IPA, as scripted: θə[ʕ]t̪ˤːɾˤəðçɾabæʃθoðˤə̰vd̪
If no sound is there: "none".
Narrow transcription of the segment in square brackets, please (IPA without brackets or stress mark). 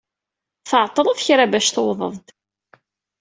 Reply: ʕ